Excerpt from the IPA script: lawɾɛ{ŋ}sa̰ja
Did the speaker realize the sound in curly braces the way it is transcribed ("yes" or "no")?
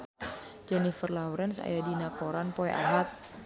no